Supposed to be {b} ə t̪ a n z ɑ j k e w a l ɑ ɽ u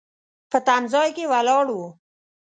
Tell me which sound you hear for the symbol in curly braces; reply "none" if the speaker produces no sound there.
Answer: p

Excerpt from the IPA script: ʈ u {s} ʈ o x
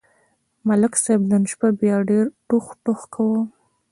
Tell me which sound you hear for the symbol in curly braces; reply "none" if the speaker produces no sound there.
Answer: x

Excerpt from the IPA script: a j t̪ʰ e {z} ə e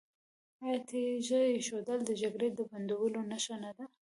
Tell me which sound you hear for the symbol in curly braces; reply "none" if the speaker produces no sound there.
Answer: ʒ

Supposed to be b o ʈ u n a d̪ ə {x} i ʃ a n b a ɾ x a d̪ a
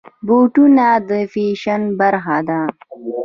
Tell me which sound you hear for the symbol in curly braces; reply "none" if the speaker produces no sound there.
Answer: f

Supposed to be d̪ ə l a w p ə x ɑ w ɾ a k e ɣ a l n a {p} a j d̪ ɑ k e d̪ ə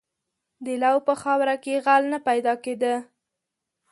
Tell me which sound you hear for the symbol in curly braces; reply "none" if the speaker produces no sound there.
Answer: p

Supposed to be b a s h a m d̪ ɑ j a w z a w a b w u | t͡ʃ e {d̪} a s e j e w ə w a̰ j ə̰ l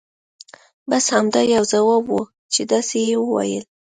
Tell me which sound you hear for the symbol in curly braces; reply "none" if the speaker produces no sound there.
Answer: d̪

